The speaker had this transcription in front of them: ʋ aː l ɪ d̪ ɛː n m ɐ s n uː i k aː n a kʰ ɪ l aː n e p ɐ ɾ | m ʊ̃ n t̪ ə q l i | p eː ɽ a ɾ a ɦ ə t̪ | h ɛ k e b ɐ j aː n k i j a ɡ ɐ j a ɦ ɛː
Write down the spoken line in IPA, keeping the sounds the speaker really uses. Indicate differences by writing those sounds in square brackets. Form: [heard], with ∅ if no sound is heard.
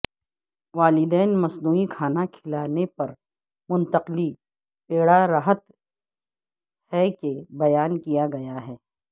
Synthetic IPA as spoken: ʋ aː l ɪ d̪ ɛː n m ɐ s n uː i [kʰ] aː n a kʰ ɪ l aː n e p ɐ ɾ | m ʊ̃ n t̪ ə q l i | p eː ɽ a ɾ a ɦ ə t̪ | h ɛ k e b ɐ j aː n k i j a ɡ ɐ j a ɦ ɛː